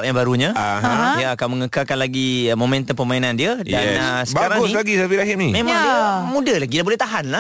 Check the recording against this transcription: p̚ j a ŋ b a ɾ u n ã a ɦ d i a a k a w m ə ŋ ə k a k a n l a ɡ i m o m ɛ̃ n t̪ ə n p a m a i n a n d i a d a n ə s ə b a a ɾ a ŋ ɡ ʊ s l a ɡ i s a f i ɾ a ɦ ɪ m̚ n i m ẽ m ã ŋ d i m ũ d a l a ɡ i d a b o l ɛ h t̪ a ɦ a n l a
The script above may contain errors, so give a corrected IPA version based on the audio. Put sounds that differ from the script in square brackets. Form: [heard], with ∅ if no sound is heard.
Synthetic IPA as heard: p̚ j a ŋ b a ɾ u [ɲ] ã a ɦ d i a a k a w m ə ŋ ə k a k a n l a ɡ i m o m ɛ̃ n t̪ ə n p [ə] m a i n a n d i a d a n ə s ə b a a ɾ a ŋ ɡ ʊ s l a ɡ i s a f i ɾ a ɦ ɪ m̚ n i m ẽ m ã ŋ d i m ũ d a l a ɡ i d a b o l ɛ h t̪ a ɦ a n l a